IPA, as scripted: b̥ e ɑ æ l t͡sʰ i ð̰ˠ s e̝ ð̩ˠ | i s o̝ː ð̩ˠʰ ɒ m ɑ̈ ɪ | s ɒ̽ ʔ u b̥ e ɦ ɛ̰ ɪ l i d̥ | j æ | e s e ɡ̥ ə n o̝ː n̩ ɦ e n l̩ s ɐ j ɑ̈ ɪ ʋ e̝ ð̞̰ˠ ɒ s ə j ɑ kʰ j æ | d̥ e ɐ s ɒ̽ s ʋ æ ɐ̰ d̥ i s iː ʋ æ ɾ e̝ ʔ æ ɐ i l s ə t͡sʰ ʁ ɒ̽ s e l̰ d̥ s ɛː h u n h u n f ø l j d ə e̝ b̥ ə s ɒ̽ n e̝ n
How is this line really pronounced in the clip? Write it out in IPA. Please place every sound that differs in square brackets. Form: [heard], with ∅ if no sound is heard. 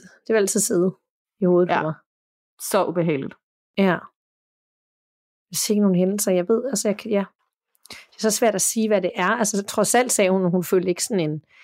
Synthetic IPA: [d̥] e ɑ æ l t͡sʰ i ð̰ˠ s e̝ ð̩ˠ | i [h] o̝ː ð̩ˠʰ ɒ m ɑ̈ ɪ | s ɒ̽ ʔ u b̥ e ɦ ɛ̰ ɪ l i d̥ | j æ | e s e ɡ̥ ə n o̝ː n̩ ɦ e n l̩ s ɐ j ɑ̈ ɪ ʋ e̝ ð̞̰ˠ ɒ s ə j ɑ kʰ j æ | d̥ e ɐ s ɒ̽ s ʋ æ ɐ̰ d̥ [æ] s iː ʋ æ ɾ e̝ ʔ æ ɐ [æ] l s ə t͡sʰ ʁ ɒ̽ s [æ] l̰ d̥ s ɛː h u n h u n f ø l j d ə e̝ [ɡ̥] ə s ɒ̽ n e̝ n